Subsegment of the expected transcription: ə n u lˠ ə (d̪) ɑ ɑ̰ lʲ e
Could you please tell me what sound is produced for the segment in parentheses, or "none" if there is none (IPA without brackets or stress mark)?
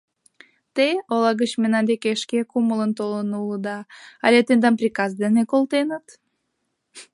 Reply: d̪